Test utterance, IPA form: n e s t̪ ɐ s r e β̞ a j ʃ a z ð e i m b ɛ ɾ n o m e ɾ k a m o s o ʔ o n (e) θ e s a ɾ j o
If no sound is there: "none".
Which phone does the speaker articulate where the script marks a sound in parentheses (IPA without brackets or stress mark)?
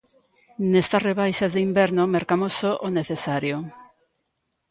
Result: e